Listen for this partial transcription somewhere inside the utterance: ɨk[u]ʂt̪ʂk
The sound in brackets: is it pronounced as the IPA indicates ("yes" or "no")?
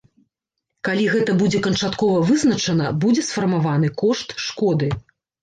no